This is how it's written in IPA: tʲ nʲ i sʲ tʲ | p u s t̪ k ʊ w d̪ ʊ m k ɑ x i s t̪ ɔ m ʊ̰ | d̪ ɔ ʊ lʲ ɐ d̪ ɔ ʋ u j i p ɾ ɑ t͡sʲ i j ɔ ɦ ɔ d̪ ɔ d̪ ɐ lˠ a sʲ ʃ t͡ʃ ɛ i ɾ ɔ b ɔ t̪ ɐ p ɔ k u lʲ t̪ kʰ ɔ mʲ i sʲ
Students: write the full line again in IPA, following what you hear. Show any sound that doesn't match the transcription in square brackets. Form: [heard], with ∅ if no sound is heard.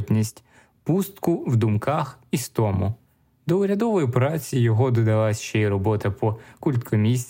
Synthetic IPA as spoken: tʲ nʲ i sʲ tʲ | p u s t̪ k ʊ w d̪ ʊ m k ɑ x i s t̪ ɔ m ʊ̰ | d̪ ɔ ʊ [ɾʲ] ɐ d̪ ɔ ʋ [ɔ] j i p ɾ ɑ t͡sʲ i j ɔ ɦ ɔ d̪ ɔ d̪ ɐ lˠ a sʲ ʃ t͡ʃ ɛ i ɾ ɔ b ɔ t̪ ɐ p ɔ k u lʲ t̪ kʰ ɔ mʲ i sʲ